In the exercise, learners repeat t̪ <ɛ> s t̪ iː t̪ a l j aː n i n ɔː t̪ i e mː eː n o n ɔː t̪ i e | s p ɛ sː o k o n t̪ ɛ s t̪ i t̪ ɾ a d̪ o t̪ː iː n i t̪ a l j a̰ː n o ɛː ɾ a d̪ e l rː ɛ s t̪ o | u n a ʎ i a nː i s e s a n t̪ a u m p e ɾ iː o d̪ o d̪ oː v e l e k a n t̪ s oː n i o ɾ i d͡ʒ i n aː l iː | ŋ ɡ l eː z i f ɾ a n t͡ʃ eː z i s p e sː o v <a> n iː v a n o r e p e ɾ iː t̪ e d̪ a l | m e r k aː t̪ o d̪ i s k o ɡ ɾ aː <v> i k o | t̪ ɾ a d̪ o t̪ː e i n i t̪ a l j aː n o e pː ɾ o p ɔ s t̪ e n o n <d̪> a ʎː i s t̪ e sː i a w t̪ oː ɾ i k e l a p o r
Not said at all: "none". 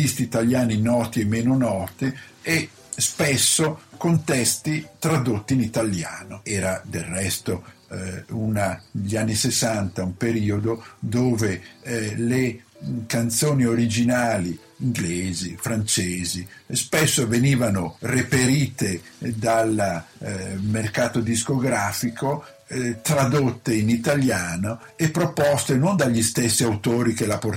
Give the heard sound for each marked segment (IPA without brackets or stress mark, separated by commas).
i, e, f, d̪